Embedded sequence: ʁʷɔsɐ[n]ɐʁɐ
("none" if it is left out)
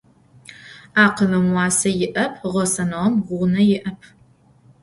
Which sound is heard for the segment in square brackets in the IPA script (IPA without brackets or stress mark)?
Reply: n